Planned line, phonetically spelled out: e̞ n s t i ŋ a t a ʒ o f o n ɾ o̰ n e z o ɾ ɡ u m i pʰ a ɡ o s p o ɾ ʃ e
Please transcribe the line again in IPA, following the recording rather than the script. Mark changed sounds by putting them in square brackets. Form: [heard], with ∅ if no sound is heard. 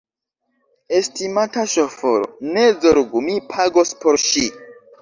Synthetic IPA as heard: e̞ [∅] s t i [m] a t a [ʃ] o f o [∅] ɾ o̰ n e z o ɾ ɡ u m i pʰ a ɡ o s p o ɾ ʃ [i]